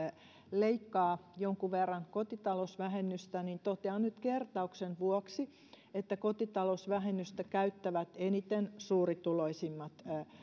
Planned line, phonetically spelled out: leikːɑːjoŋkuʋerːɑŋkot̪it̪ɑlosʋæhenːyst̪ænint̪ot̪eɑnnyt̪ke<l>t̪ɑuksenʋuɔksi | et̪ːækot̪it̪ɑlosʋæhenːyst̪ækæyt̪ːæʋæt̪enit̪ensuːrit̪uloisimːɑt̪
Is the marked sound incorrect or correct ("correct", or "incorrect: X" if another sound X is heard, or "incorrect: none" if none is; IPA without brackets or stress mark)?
incorrect: r